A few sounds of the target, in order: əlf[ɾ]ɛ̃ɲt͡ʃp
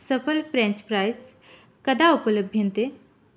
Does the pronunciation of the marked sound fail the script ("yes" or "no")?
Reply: no